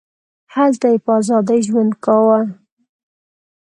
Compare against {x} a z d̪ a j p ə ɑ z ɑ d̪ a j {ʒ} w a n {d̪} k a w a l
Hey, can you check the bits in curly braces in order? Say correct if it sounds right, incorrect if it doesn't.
incorrect, correct, correct

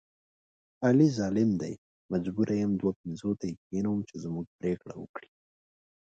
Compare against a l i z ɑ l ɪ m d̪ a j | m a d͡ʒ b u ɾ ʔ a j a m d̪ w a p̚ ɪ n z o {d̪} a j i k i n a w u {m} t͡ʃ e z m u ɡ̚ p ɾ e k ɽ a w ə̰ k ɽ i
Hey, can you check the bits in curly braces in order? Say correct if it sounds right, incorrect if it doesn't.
incorrect, correct

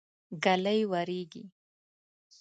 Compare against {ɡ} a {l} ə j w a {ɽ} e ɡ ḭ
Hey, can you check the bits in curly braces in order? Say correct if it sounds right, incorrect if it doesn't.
correct, correct, incorrect

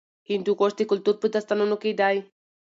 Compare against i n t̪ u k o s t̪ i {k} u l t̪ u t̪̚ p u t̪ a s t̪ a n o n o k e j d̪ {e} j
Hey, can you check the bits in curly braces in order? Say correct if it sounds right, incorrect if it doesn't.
correct, incorrect

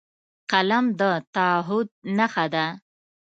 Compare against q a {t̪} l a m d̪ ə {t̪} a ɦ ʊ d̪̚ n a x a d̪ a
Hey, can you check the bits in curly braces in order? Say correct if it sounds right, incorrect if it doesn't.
incorrect, correct

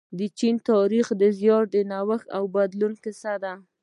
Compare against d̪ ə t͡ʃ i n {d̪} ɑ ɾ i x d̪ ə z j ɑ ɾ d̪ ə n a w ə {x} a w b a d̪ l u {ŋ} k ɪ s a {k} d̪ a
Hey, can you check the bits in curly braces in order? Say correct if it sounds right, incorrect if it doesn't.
incorrect, correct, incorrect, incorrect

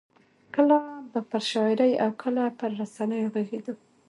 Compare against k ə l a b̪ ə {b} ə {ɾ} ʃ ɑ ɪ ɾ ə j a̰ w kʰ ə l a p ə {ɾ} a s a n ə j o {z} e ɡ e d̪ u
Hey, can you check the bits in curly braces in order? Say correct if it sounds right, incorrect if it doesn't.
incorrect, correct, incorrect, incorrect

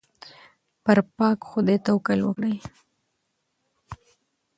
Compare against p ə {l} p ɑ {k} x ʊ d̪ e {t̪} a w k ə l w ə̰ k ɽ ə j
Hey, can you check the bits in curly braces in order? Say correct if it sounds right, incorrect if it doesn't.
incorrect, correct, correct

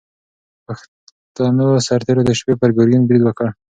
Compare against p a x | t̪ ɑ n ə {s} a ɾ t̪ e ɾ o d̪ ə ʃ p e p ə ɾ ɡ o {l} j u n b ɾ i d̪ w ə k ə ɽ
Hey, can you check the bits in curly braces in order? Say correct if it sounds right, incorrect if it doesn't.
correct, incorrect

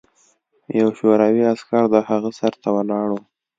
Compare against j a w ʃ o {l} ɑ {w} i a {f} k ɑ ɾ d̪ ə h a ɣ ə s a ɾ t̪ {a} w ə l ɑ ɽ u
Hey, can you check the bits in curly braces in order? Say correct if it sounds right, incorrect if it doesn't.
incorrect, correct, incorrect, correct

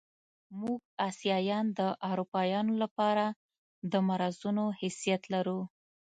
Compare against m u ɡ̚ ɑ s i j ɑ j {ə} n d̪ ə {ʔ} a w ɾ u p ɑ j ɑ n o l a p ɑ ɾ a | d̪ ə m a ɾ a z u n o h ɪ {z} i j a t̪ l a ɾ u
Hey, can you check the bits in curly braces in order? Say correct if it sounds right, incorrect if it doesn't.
incorrect, correct, incorrect

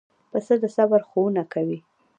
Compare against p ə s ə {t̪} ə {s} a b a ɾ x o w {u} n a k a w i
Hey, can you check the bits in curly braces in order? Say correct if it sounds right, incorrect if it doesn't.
incorrect, correct, correct

